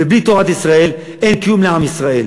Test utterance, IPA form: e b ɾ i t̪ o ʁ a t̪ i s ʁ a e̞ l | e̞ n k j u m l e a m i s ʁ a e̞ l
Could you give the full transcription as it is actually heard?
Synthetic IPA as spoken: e b l i t̪ o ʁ a t̪ i s ʁ a e̞ l | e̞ n k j u m l e a m i s ʁ a e̞ l